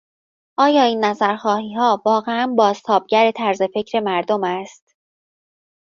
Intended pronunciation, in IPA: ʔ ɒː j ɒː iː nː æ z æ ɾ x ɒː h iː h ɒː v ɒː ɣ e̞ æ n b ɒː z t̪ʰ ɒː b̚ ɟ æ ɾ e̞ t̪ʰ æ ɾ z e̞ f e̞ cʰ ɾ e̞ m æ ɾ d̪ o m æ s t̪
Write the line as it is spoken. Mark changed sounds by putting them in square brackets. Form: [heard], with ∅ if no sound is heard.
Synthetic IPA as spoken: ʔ ɒː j ɒː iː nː æ z æ ɾ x ɒː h iː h ɒː v ɒː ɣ e̞ æ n b ɒː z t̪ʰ ɒː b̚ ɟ æ ɾ e̞ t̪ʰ æ ɾ z e̞ f e̞ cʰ ɾ e̞ m æ ɾ d̪ o m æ s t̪